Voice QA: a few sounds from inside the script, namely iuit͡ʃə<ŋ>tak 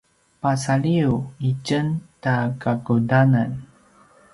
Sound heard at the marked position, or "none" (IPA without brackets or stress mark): n